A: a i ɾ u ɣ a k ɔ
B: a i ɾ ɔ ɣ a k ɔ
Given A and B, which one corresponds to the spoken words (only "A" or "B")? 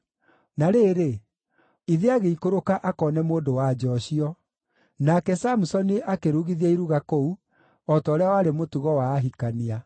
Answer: A